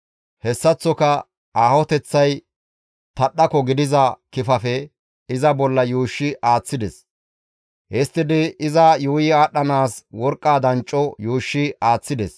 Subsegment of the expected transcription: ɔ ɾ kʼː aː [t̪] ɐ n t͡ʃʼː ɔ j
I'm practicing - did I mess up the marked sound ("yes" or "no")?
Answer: yes